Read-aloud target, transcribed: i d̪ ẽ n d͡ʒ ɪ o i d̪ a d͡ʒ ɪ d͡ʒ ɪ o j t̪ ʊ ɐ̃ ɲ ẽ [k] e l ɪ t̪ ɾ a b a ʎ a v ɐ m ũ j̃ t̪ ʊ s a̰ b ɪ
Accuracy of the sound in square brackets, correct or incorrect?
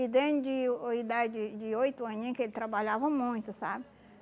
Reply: correct